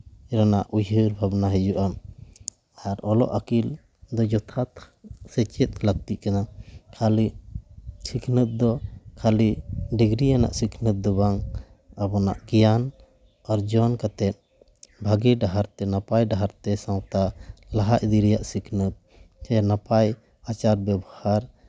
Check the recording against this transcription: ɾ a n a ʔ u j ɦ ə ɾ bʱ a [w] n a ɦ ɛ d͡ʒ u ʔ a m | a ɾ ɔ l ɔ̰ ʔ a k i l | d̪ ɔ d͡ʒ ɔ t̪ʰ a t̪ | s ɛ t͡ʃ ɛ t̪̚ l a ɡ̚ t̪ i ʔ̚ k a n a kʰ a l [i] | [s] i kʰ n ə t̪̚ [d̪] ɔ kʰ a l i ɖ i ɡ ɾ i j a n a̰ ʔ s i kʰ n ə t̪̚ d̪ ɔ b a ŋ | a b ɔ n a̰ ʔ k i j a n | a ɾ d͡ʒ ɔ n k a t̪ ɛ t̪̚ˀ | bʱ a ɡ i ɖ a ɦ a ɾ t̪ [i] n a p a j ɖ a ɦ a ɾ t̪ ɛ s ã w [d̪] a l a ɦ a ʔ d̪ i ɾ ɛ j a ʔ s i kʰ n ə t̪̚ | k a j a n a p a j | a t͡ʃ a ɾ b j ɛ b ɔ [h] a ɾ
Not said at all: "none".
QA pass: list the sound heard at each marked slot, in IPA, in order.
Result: b, i, s, d̪, ɛ, t̪, h

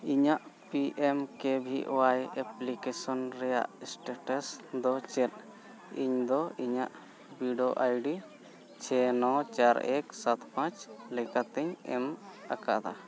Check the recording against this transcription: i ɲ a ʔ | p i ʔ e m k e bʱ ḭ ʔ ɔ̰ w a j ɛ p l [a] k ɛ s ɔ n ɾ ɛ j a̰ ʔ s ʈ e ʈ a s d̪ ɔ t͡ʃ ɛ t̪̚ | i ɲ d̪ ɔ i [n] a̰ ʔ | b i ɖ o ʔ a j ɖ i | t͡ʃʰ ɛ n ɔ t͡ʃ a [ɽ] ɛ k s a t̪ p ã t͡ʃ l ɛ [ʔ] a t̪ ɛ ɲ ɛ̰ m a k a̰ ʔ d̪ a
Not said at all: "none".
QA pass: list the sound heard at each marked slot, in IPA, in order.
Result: i, ɲ, ɾ, k

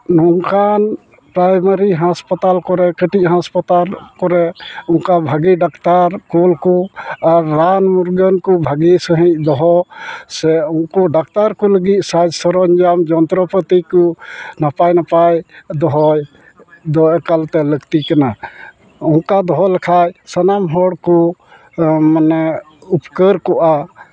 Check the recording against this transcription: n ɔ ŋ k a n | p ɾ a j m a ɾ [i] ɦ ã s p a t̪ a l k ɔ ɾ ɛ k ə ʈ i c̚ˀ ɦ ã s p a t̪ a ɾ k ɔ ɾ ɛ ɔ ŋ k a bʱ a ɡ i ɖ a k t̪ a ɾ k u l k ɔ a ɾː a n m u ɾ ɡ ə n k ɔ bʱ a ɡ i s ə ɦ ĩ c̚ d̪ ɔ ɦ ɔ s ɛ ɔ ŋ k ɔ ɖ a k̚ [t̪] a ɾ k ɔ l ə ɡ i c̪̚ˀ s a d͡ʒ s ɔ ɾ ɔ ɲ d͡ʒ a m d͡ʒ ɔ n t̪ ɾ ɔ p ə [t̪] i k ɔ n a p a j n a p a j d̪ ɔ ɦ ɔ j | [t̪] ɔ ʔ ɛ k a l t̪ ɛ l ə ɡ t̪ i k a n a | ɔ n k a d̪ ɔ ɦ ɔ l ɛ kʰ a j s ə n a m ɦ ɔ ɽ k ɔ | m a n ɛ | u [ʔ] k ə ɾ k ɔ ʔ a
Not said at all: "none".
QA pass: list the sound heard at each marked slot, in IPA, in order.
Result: i, t̪, t̪, d̪, p

